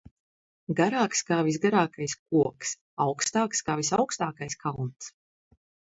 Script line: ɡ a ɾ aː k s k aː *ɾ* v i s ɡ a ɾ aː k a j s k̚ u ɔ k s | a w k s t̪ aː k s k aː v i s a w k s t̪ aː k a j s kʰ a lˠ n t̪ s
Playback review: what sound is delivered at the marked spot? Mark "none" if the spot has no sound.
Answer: none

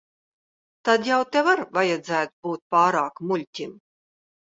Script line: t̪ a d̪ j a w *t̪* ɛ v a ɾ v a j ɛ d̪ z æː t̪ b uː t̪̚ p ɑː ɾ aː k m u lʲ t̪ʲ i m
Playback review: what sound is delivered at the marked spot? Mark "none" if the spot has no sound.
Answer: t̪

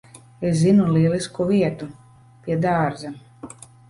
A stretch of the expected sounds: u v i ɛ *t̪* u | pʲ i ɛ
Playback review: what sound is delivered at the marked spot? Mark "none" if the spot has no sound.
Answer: t̪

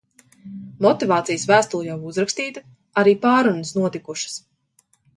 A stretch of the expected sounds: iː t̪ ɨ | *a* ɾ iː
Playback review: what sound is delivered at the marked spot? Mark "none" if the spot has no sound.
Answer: a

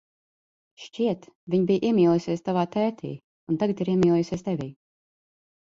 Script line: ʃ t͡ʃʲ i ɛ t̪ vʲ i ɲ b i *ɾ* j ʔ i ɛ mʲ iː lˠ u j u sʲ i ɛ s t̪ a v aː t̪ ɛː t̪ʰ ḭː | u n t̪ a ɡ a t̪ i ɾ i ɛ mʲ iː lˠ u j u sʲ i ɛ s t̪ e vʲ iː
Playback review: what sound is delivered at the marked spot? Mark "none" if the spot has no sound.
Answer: none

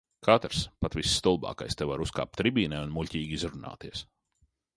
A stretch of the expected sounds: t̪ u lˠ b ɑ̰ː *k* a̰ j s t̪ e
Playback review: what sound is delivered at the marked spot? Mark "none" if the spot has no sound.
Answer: k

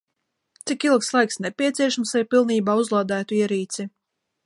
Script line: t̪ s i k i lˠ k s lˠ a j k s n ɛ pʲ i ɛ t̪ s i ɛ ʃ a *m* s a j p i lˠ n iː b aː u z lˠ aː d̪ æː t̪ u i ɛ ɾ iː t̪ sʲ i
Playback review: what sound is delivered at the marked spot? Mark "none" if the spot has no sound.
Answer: m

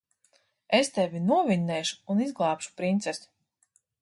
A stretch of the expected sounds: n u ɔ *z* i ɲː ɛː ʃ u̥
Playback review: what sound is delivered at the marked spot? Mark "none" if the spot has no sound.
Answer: v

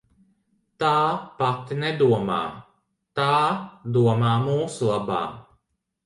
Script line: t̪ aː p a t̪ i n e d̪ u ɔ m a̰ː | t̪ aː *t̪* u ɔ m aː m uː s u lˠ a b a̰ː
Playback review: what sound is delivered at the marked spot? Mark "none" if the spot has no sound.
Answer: d̪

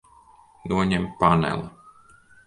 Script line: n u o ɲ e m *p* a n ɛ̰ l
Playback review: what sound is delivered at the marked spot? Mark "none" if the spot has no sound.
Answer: p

